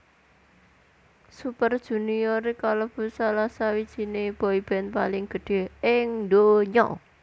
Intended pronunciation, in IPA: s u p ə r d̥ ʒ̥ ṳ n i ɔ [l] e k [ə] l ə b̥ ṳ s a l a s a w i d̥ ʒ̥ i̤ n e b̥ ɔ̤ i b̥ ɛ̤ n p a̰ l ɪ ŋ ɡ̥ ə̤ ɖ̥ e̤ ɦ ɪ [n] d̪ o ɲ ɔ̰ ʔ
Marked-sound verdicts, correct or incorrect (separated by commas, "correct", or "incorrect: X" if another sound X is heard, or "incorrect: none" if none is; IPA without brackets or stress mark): incorrect: ɾ, incorrect: a, incorrect: ŋ